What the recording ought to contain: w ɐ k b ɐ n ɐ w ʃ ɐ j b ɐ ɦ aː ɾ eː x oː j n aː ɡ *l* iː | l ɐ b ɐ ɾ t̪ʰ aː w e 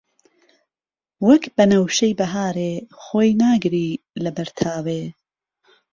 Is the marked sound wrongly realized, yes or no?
yes